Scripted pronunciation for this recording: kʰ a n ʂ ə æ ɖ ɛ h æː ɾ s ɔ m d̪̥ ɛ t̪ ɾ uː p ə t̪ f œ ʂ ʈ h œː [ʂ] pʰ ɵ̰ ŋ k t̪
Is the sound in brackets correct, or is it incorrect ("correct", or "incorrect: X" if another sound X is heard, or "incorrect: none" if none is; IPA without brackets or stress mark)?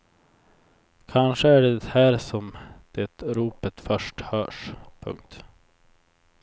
correct